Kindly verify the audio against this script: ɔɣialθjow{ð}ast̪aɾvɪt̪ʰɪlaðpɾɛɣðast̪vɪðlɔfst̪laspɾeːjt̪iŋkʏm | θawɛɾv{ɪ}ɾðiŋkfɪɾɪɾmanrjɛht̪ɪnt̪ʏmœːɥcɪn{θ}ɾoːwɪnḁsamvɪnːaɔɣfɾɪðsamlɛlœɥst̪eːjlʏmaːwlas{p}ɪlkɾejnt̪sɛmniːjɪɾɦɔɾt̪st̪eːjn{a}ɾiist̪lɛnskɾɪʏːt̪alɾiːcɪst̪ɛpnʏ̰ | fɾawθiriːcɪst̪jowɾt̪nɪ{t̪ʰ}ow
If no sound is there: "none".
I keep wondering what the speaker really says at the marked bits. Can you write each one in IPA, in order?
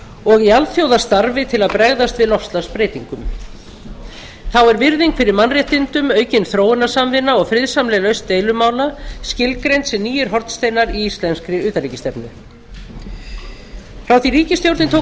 ð, ɪ, θ, c, a, t̪ʰ

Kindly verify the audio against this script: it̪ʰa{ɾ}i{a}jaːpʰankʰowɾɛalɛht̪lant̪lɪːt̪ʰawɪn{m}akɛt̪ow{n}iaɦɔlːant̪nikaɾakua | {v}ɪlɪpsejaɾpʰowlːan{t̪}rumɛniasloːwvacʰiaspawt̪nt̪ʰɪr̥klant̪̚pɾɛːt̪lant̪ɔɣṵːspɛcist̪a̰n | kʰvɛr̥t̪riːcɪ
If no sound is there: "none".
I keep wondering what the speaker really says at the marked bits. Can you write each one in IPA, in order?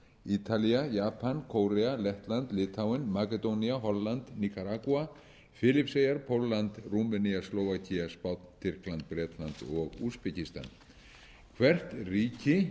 l, a, m, n, f, t̪

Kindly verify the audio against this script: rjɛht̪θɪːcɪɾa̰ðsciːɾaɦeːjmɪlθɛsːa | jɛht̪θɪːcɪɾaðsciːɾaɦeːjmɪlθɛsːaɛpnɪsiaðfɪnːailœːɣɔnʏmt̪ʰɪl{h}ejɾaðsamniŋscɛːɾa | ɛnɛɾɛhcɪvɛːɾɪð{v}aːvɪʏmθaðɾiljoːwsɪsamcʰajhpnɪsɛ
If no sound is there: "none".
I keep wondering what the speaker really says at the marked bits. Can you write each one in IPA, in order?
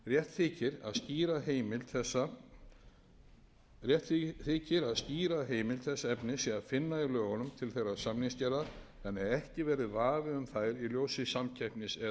θ, v

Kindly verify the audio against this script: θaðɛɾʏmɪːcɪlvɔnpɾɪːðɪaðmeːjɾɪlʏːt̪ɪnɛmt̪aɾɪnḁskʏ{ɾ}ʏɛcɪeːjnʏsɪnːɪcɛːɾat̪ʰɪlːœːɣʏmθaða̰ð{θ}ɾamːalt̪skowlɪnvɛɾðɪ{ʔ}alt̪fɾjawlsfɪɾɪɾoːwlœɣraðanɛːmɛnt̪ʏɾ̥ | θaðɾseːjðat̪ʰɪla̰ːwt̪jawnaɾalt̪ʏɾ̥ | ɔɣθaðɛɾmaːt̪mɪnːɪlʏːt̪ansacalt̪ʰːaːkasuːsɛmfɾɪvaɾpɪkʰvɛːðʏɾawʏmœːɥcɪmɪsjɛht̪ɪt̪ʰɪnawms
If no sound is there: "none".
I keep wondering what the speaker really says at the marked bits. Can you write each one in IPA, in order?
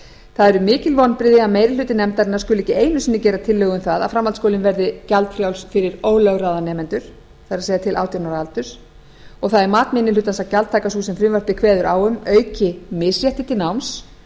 l, f, c

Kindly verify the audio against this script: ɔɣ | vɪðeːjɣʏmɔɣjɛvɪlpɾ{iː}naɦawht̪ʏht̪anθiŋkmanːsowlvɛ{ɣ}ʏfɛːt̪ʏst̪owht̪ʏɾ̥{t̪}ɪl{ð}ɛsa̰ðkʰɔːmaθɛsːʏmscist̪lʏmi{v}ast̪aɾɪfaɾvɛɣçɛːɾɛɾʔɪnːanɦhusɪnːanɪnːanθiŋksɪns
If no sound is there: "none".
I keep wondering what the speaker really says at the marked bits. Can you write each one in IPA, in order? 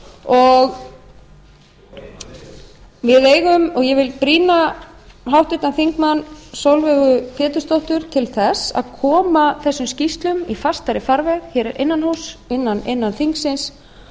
iː, ɣ, t̪ʰ, θ, f

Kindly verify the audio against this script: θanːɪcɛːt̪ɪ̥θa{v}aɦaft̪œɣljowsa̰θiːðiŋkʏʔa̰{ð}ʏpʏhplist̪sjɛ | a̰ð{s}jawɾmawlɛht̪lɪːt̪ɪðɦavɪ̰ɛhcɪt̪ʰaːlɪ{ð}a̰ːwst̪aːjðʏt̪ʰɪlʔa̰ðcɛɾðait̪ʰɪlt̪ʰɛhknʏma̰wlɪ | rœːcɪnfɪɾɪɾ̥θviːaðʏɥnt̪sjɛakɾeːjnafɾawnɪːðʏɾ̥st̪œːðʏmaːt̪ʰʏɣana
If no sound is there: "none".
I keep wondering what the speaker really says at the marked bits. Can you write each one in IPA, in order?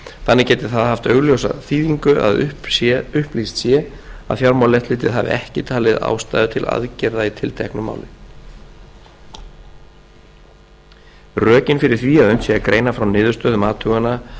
ð, ð, f, ð

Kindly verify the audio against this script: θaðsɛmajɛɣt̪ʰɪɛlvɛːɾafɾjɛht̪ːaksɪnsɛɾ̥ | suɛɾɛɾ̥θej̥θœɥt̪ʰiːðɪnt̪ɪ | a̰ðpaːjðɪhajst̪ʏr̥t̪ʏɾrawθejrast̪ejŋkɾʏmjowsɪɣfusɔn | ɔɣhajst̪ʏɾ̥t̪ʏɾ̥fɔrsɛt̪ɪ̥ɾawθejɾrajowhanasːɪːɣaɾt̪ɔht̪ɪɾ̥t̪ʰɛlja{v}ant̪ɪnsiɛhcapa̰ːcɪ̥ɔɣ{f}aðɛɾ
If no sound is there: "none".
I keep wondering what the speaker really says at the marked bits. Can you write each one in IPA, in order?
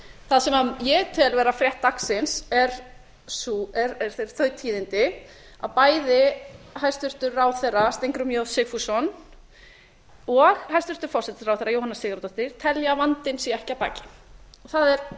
v, θ

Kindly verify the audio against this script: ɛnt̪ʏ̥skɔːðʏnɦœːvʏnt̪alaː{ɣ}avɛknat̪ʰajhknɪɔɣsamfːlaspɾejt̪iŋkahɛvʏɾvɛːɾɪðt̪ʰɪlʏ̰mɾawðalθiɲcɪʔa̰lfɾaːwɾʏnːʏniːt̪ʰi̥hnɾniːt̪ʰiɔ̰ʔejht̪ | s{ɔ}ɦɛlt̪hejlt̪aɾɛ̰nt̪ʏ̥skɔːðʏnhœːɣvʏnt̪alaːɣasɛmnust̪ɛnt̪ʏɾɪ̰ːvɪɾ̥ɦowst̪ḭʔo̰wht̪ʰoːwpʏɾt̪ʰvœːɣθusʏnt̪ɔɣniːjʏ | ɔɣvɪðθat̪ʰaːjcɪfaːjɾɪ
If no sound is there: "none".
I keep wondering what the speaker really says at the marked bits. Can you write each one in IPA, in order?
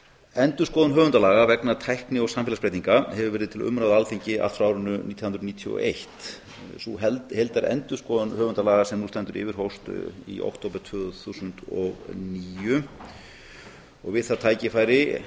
ɣ, u

